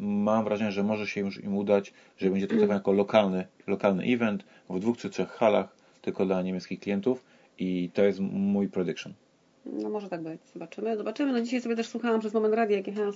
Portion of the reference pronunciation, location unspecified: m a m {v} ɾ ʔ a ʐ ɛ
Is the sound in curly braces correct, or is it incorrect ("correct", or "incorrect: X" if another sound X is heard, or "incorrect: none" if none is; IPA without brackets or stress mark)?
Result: correct